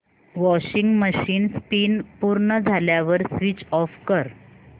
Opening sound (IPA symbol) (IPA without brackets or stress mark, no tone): ʋ